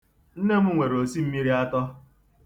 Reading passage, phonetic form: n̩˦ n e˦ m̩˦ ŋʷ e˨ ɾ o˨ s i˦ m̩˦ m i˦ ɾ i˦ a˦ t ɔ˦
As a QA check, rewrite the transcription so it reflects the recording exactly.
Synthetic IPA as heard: n̩˦ n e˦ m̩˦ ŋʷ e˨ ɾ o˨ s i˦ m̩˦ m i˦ ɾ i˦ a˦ t ɔ˦